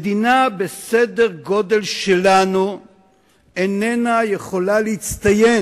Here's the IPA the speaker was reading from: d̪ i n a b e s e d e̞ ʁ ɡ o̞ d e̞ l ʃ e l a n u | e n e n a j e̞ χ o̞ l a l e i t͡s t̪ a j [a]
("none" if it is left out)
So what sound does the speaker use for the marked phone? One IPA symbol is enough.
e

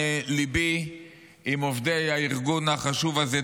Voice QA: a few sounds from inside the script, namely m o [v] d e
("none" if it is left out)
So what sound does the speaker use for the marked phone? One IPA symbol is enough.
v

